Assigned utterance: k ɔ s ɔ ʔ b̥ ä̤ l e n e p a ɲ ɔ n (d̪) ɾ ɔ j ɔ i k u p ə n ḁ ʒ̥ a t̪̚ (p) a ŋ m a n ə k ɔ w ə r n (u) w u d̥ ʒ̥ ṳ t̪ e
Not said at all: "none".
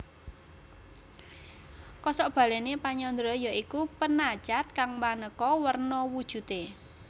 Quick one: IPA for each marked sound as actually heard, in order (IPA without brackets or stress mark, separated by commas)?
d̪, k, ɔ